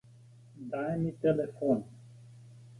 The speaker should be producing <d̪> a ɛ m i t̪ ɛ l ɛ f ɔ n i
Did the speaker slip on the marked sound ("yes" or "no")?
no